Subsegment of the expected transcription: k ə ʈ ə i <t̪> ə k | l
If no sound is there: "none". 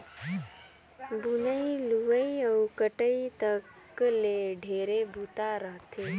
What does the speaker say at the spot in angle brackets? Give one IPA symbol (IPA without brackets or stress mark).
t̪